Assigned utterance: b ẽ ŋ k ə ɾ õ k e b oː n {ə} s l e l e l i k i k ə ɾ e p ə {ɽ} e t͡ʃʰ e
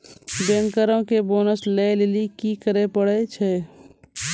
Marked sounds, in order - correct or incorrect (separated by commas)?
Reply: correct, correct